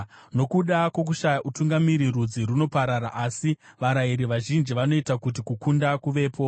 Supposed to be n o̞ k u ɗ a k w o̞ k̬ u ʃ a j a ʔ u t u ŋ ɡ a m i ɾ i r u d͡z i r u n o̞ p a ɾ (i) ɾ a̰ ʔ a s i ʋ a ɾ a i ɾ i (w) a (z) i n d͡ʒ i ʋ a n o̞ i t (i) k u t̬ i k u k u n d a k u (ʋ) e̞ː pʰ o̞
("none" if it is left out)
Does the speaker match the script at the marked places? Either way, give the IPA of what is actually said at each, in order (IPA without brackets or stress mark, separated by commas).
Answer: a, ʋ, ʒ, a, ʋ